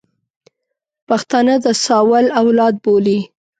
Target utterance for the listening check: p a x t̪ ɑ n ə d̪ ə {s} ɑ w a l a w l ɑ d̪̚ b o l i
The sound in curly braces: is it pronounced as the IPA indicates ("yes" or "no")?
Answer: yes